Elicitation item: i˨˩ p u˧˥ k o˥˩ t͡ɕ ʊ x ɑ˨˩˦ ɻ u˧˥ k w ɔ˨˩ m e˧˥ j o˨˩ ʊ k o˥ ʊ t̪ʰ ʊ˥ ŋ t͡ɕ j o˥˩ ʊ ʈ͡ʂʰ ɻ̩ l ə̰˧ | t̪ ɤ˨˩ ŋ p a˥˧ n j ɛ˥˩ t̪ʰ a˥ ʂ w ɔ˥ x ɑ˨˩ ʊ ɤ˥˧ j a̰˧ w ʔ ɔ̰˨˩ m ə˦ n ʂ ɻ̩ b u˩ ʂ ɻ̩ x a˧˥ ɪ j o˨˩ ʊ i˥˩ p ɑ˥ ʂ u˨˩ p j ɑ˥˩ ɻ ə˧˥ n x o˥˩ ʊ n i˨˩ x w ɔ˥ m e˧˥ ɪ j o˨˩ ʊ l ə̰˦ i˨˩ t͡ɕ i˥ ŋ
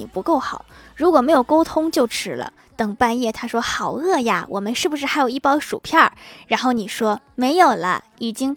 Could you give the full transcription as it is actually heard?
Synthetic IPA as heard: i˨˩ p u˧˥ k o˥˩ ʊ x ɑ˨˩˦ ɻ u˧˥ k w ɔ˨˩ m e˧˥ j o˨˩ ʊ k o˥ ʊ t̪ʰ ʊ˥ ŋ t͡ɕ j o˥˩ ʊ ʈ͡ʂʰ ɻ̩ l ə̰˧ | t̪ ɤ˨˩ ŋ p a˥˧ n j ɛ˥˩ t̪ʰ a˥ ʂ w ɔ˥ x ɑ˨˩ ʊ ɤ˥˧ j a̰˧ w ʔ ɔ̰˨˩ m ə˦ n ʂ ɻ̩ b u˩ ʂ ɻ̩ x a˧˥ ɪ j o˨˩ ʊ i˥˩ p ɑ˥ ʂ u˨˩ pʰ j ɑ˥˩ ɻ a˧˥ n x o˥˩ ʊ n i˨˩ ʂ w ɔ˥ m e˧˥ ɪ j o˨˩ ʊ l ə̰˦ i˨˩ t͡ɕ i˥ ŋ